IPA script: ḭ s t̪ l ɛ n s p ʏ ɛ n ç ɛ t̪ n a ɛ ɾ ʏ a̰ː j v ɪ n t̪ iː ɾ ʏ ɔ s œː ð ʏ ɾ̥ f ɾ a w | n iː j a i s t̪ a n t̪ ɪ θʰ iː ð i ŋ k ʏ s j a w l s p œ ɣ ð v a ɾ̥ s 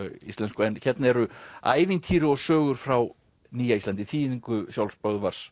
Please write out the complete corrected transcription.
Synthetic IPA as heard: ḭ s t̪ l ɛ n s k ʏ ɛ n ç ɛ t̪ n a ɛ ɾ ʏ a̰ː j v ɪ n t̪ʰ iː ɾ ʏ ɔ s œː ɣ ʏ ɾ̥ f ɾ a w | n iː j a i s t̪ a n t̪ ɪ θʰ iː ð i ŋ k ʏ s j a w l s p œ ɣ ð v a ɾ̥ s